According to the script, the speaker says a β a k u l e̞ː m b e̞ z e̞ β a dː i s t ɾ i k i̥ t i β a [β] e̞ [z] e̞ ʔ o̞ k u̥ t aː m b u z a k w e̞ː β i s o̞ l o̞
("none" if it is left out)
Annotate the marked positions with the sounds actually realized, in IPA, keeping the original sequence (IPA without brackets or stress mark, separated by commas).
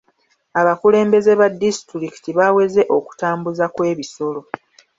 w, z